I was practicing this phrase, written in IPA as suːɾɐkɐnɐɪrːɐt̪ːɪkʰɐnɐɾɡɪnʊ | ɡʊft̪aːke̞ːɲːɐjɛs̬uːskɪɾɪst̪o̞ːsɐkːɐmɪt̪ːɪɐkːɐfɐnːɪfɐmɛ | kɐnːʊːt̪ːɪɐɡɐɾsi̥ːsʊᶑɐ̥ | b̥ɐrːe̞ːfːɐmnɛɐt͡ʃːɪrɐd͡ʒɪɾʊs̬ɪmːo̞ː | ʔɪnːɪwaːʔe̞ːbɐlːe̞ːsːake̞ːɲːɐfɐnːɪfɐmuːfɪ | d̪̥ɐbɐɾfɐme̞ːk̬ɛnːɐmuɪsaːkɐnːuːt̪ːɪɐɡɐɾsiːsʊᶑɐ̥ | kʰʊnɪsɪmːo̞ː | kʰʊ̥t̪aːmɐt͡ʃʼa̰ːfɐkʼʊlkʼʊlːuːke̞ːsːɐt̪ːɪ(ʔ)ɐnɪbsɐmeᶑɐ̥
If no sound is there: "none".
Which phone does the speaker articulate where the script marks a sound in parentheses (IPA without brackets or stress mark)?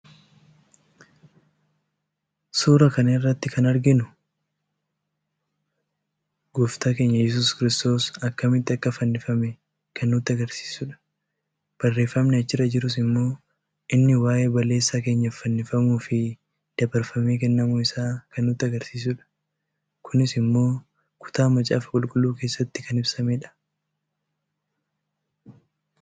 k